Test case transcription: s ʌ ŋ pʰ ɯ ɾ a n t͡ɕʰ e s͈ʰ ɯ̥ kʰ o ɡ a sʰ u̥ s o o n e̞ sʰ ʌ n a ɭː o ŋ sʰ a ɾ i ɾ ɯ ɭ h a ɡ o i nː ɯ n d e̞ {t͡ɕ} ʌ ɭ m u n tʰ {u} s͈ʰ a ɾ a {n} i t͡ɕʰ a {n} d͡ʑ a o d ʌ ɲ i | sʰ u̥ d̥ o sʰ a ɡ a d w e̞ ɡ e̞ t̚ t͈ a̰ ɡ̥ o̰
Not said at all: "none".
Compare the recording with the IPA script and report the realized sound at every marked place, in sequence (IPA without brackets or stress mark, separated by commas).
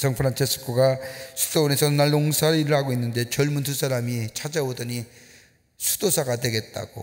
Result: t͡ɕ, u, m, none